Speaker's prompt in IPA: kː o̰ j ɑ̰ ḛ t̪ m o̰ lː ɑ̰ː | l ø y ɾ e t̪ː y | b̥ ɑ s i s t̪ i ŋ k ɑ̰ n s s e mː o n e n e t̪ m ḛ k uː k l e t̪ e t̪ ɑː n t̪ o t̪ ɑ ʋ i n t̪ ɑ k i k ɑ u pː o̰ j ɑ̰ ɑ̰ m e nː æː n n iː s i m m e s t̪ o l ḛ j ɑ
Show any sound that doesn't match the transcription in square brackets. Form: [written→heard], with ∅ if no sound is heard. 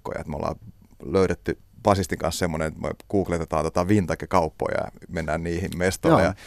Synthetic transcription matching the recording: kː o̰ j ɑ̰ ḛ t̪ m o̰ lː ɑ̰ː | l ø y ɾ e t̪ː y | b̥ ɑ s i s t̪ i ŋ k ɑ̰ n s s e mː o n e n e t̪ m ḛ k uː k l e t̪ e t̪ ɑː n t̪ o t̪ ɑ ʋ i n t̪ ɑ k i k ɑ u pː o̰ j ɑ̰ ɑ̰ m e nː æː n n iː [s→h] i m m e s t̪ o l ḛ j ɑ